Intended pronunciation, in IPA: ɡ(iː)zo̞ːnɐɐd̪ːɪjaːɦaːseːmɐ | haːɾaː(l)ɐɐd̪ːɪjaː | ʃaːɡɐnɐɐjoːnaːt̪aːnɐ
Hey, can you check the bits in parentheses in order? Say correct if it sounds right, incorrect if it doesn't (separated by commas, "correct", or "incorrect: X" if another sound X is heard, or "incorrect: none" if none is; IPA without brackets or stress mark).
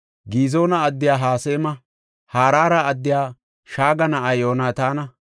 correct, incorrect: ɾ